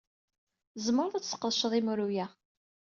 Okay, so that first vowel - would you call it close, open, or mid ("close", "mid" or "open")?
mid